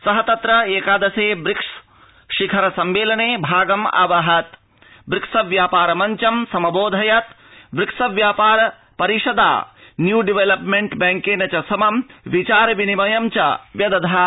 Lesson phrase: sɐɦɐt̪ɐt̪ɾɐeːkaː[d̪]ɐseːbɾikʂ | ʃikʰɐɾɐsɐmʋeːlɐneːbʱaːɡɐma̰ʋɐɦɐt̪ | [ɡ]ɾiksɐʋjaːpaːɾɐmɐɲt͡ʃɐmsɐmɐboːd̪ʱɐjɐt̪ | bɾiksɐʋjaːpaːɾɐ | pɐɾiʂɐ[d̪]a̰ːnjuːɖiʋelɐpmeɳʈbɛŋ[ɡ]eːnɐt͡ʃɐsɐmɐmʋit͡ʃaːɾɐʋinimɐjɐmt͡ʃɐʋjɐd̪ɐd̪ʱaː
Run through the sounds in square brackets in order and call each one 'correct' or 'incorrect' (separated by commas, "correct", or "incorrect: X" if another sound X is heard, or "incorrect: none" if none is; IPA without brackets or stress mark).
correct, incorrect: b, correct, incorrect: k